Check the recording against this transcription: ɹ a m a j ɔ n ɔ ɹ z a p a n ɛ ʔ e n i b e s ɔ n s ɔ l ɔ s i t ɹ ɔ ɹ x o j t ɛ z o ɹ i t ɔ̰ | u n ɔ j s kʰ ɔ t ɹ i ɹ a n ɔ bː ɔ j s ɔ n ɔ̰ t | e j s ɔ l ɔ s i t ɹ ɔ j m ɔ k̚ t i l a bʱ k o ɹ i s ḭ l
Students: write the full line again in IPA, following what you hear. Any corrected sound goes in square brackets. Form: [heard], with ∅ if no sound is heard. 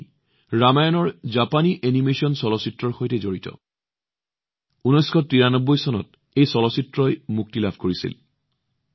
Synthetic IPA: ɹ a m a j ɔ n ɔ ɹ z a p a n [i] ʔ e n i [m] e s ɔ n s ɔ l ɔ s i t ɹ ɔ ɹ x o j t ɛ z o ɹ i t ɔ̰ | u n ɔ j s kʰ ɔ t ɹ i ɹ a n ɔ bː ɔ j s ɔ n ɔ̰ t | e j s ɔ l ɔ s i t ɹ ɔ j m [u] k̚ t i l a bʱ k o ɹ i s ḭ l